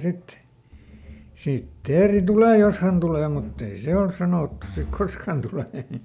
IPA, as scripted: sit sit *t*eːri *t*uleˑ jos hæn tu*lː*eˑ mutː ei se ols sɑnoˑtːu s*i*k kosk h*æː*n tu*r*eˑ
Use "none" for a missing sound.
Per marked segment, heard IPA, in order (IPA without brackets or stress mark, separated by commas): t, t, l, i, æ, l